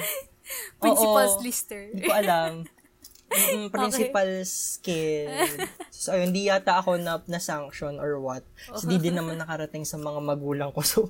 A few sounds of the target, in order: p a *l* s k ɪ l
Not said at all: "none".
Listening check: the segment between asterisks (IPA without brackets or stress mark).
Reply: l